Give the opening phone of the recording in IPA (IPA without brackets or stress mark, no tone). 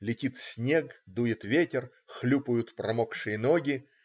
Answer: lʲ